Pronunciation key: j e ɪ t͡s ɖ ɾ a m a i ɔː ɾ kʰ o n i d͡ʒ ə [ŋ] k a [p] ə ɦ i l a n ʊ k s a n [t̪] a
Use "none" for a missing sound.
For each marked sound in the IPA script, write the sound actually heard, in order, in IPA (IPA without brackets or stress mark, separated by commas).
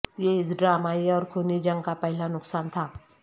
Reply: ŋ, p, t̪ʰ